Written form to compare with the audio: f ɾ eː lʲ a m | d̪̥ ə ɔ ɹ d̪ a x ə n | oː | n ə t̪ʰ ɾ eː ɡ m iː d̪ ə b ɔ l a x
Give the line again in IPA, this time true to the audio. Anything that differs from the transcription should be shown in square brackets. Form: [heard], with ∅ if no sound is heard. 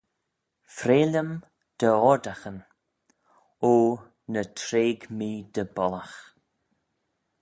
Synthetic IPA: f ɾ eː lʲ [ə] m | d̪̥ ə ɔ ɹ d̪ a x ə n | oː | n ə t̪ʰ ɾ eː ɡ m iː d̪ ə b ɔ l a x

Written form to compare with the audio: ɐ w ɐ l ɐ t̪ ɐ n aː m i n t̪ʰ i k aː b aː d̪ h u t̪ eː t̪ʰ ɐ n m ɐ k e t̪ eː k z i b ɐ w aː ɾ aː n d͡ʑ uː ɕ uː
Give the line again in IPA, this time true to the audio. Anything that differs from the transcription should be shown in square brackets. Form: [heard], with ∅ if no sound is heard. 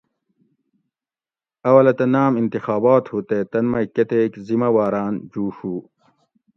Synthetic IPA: ɐ w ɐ l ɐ t̪ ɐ n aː m i n [t̪] i [x] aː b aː [t̪] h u t̪ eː [t̪] ɐ n m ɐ k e t̪ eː k z i [m] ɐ w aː ɾ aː n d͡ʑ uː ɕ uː

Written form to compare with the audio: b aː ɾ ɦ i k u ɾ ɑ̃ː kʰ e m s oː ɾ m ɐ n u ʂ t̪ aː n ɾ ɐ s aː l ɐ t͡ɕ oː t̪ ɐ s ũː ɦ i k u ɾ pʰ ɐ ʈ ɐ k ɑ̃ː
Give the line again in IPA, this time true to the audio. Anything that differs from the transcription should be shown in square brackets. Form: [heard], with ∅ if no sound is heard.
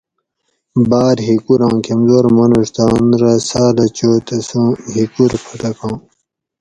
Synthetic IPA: b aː ɾ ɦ i k u ɾ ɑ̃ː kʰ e m [z] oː ɾ m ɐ n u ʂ t̪ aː n ɾ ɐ s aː l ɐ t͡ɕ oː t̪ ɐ s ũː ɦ i k u ɾ pʰ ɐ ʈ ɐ k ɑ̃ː

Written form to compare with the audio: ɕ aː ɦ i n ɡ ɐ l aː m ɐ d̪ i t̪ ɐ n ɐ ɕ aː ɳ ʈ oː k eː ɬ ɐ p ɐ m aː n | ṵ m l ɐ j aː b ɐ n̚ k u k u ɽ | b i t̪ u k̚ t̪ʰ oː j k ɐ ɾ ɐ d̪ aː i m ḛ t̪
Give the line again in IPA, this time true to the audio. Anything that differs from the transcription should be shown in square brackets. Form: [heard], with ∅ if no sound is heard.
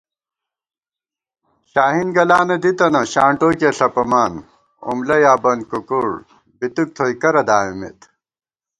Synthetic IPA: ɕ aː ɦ i n ɡ ɐ l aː [n] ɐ d̪ i t̪ ɐ n ɐ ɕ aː ɳ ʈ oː k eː ɬ ɐ p ɐ m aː n | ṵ m l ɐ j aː b ɐ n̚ k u k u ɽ | b i t̪ u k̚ t̪ʰ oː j k ɐ ɾ ɐ d̪ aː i m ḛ t̪

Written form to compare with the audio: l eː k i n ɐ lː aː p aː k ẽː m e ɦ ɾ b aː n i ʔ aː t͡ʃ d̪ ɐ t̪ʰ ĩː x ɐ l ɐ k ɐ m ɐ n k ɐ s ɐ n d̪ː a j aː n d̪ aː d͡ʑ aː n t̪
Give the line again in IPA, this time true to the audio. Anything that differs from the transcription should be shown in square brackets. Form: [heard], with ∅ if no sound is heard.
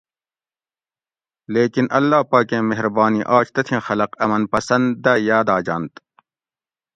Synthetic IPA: l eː k i n ɐ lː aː p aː k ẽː m e ɦ ɾ b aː n i ʔ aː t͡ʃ [t̪] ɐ t̪ʰ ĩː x ɐ l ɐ [q] ɐ m ɐ n [p] ɐ s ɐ n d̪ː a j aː [∅] d̪ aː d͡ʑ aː n t̪

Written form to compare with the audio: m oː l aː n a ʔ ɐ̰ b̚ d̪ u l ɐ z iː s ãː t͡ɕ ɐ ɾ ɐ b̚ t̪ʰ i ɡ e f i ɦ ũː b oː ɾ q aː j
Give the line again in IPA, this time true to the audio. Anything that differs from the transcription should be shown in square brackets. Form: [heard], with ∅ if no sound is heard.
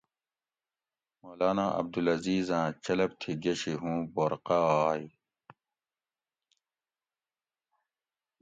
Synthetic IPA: m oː l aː n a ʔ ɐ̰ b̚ d̪ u l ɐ z iː [z] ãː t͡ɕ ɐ [l] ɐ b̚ t̪ʰ i ɡ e [ɕ] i ɦ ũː b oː ɾ q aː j

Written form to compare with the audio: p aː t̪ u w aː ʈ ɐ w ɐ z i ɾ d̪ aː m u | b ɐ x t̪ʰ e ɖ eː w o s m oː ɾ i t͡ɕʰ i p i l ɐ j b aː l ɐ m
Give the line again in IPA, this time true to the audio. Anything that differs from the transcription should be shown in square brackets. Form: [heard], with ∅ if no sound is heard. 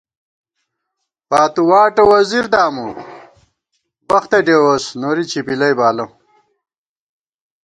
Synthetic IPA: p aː t̪ u w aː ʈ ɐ w ɐ z i ɾ d̪ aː m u | b ɐ x [t̪] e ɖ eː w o s [n] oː ɾ i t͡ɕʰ i p i l ɐ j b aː l ɐ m

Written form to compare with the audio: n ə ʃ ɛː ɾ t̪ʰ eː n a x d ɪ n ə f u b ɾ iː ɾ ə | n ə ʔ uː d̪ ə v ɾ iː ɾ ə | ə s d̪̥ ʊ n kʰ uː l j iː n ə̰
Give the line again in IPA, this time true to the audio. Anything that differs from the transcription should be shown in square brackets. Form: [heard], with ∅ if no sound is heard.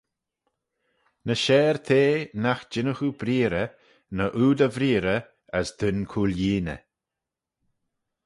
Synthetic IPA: n ə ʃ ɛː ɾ t̪ʰ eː n a x [d͡ʒ] ɪ n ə [x] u b ɾ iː ɾ ə | n ə ʔ uː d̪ ə v ɾ iː ɾ ə | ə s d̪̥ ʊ n kʰ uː l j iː n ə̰

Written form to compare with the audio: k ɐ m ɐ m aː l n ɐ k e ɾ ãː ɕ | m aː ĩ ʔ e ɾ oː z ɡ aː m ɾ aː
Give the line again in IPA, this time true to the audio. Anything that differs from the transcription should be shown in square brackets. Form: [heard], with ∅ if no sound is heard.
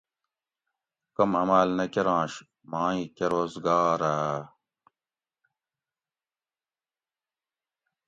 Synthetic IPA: k ɐ m ɐ m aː l n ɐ k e ɾ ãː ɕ | m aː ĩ [k] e ɾ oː z ɡ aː [∅] ɾ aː

